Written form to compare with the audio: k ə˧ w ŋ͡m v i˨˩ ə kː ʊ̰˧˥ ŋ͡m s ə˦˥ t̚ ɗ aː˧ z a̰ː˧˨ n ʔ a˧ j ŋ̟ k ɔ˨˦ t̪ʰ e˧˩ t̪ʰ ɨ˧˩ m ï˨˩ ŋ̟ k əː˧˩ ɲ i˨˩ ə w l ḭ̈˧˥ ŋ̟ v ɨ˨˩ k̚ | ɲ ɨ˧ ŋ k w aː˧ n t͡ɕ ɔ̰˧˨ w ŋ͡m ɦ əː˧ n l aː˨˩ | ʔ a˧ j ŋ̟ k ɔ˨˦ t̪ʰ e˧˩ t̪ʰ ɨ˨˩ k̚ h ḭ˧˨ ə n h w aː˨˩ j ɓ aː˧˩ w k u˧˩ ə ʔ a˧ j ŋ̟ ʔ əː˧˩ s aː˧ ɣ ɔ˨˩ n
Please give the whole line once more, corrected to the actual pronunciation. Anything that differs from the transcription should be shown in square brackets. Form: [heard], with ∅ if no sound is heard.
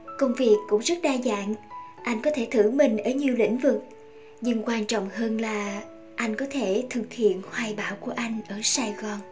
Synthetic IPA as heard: k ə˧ w ŋ͡m v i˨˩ ə kː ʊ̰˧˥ ŋ͡m [z] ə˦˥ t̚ ɗ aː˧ z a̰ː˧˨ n ʔ a˧ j ŋ̟ k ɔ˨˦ t̪ʰ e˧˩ t̪ʰ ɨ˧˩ m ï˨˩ ŋ̟ [ʔ] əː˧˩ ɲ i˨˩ ə w l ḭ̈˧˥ ŋ̟ v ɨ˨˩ k̚ | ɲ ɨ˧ ŋ k w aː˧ n t͡ɕ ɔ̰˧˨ w ŋ͡m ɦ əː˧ n l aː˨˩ | ʔ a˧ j ŋ̟ k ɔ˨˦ t̪ʰ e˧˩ t̪ʰ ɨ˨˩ k̚ h ḭ˧˨ ə n h w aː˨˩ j ɓ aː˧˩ w k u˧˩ ə ʔ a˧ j ŋ̟ ʔ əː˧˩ s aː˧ ɣ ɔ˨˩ n